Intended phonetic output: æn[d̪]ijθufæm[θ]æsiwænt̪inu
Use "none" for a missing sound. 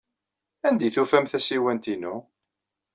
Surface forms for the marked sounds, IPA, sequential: d̪, θ

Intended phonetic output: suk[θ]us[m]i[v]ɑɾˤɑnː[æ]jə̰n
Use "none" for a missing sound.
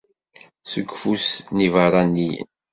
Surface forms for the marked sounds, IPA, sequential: f, n, v, i

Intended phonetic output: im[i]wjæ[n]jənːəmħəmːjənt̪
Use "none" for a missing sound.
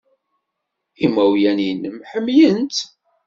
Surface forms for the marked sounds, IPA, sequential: æ, n

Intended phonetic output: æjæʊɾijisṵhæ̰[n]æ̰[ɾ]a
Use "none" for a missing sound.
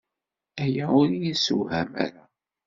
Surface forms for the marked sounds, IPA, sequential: m, ɾ

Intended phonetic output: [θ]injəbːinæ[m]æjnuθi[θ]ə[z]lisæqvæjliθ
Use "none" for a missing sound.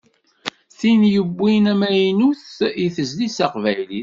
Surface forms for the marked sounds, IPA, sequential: θ, m, θ, z

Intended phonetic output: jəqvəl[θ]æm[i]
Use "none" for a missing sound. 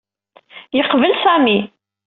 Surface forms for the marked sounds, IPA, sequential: s, i

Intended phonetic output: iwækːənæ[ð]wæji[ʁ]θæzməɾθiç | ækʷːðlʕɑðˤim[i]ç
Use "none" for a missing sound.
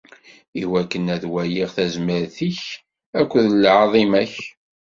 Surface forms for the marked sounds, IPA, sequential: ð, ʁ, æ

